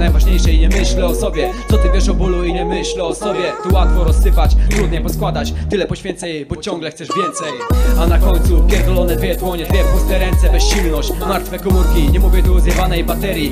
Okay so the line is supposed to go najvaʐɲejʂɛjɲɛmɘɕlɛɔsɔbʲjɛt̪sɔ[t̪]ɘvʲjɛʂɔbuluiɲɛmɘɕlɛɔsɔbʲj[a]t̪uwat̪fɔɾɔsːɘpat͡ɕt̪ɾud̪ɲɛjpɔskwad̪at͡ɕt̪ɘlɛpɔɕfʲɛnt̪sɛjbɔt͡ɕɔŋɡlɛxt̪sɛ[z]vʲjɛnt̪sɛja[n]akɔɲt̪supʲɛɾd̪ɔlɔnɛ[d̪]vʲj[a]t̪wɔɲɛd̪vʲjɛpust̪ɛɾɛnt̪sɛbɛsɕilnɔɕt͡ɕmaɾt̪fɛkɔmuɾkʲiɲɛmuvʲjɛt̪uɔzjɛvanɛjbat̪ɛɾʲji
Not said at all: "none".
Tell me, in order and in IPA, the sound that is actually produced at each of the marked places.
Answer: t̪, ɛ, ʐ, n, d̪, ɛ

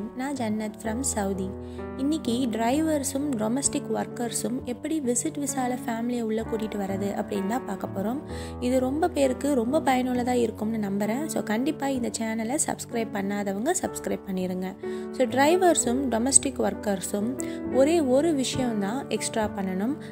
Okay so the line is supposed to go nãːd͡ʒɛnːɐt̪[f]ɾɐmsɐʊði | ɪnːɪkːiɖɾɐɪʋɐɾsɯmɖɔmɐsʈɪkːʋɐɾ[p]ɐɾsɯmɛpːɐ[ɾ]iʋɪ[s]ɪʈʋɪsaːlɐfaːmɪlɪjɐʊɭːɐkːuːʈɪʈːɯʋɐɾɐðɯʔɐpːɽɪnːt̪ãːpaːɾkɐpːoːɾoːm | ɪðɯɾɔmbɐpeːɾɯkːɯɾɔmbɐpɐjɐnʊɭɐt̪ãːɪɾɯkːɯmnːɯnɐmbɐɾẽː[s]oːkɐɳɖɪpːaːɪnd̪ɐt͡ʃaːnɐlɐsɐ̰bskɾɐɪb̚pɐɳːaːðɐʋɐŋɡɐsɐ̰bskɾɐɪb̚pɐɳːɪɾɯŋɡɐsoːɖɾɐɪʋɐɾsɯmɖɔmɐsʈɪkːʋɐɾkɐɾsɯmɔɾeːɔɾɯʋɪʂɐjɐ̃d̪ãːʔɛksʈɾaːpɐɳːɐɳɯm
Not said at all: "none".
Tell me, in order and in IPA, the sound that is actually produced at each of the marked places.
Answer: f, k, ɽ, s, s

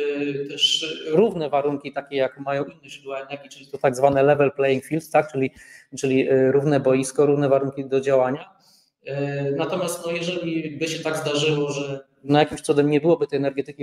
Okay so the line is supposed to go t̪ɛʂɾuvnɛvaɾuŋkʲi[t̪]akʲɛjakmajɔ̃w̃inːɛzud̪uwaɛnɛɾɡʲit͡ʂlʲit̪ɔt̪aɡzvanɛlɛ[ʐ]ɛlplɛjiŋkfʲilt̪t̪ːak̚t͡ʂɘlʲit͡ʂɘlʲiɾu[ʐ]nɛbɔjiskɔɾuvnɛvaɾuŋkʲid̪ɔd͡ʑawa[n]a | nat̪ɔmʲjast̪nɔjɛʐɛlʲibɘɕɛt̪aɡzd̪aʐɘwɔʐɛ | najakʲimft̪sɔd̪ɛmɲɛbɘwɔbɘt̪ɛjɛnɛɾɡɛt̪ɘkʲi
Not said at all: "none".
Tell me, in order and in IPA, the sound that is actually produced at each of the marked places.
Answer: t̪, v, v, ɲ

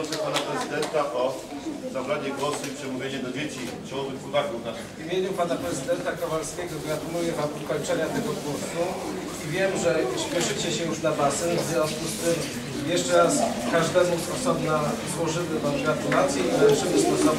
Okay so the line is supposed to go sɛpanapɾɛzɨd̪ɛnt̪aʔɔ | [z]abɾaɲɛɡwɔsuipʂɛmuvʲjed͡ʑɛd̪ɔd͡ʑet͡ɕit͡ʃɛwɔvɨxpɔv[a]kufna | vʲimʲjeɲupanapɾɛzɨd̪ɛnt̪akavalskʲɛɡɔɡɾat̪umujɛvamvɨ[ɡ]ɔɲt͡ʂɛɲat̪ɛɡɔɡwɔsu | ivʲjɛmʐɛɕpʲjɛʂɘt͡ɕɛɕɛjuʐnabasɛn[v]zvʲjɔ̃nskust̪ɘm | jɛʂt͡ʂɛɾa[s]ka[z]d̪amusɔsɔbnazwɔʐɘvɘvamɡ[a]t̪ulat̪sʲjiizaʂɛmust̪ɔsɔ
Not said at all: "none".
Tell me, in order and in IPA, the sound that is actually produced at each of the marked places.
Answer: z, a, k, v, s, ʐ, a

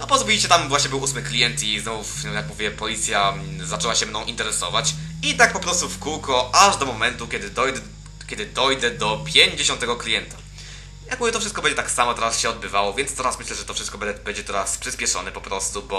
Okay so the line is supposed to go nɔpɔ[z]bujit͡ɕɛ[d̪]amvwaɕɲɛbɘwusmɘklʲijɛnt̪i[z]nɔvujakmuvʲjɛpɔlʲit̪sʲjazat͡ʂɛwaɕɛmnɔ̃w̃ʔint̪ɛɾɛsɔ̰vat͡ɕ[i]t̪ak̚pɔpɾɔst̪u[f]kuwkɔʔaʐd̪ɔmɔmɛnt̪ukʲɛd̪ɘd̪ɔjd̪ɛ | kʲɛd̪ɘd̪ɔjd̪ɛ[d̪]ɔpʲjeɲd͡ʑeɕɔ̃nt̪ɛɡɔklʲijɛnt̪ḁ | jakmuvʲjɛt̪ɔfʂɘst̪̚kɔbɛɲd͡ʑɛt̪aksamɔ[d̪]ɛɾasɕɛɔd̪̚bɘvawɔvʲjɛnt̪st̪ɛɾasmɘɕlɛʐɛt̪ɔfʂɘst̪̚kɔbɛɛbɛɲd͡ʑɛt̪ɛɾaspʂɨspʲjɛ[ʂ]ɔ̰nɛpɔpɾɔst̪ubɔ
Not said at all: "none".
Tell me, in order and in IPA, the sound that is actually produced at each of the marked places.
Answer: z, t̪, z, i, f, d̪, t̪, ʂ

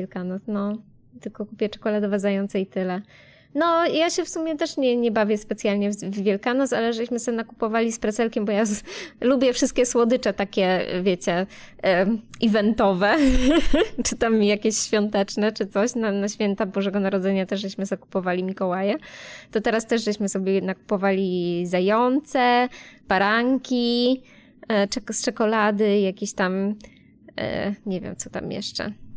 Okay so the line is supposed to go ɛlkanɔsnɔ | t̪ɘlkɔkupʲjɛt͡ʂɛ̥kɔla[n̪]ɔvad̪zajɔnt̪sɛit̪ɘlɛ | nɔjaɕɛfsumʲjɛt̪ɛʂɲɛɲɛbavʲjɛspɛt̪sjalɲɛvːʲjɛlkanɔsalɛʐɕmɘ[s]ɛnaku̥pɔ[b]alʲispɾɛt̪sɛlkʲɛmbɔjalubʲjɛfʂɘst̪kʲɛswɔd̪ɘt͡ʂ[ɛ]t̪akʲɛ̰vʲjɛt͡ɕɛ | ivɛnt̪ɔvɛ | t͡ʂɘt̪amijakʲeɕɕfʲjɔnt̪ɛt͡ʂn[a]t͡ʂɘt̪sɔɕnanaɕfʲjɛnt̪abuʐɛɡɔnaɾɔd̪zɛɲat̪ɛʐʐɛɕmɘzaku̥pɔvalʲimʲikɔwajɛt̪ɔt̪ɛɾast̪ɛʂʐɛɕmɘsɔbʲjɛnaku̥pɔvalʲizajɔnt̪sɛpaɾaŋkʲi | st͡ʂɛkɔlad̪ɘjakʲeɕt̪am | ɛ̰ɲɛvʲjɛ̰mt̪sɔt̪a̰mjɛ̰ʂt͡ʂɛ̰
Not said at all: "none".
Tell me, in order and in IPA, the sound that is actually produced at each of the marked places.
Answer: d̪, s, v, ɛ, ɛ

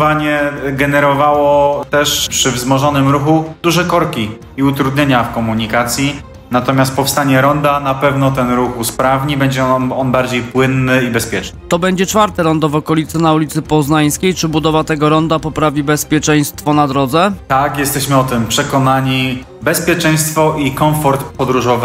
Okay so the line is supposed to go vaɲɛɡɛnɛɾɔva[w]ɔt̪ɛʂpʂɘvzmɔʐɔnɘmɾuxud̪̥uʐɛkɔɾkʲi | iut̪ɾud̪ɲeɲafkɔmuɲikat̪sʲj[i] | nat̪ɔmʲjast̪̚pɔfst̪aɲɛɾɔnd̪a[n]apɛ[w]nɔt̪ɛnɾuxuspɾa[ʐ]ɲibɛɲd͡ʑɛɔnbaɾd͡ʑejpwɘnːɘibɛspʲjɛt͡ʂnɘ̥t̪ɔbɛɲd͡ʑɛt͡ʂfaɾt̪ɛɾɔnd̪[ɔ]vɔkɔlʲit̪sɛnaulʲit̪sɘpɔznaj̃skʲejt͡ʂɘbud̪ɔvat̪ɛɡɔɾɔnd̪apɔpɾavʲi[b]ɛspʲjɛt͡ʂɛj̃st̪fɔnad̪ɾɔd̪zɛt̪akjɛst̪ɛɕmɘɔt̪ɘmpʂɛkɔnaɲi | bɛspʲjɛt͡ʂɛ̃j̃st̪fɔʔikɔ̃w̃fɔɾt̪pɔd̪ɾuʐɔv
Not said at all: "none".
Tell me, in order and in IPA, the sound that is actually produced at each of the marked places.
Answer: w, i, n, v, v, ɔ, b

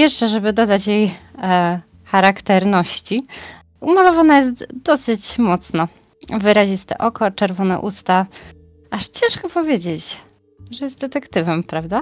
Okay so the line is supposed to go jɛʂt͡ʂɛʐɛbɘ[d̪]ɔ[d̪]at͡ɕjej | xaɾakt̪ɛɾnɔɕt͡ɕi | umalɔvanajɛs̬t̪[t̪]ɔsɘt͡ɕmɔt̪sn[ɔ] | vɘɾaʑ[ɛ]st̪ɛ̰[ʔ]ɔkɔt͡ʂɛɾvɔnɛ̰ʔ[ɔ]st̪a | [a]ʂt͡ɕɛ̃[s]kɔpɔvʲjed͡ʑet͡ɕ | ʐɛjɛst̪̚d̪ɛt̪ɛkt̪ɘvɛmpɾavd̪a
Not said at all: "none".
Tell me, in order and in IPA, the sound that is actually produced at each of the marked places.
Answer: d̪, d̪, d̪, ɔ, i, ʔ, u, a, ʂ

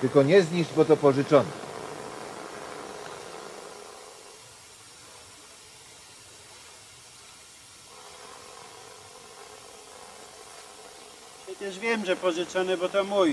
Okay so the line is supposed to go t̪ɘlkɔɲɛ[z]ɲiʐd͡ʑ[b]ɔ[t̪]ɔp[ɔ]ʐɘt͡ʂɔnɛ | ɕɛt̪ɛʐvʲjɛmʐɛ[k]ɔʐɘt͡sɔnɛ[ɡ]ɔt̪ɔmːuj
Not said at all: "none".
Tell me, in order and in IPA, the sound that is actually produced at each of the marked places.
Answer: z, b, t̪, ɔ, p, b

